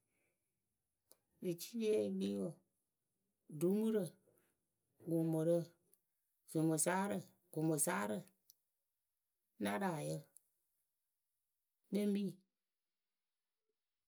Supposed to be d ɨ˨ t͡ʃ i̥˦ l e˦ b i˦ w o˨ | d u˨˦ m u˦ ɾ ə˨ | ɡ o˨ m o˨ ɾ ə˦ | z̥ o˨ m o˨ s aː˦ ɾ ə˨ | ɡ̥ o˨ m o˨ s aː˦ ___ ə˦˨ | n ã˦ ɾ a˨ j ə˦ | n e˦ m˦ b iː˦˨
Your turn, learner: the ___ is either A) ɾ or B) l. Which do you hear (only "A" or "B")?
A